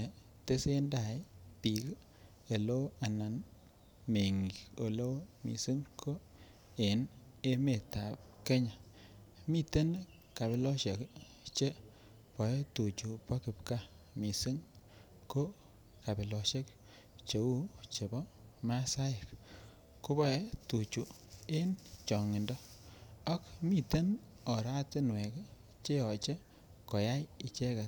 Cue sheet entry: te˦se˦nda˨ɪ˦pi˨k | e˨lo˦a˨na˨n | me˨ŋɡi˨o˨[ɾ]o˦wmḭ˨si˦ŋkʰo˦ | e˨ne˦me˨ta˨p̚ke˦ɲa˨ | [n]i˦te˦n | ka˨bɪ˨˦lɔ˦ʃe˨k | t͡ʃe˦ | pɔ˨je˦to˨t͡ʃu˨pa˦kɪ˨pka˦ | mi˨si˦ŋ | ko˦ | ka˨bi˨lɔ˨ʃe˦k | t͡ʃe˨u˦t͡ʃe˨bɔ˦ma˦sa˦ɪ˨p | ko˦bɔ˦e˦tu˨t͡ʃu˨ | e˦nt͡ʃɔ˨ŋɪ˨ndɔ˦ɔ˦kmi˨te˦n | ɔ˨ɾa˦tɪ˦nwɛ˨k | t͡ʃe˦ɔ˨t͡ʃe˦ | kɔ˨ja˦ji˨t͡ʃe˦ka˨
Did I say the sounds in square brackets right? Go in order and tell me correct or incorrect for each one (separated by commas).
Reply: incorrect, incorrect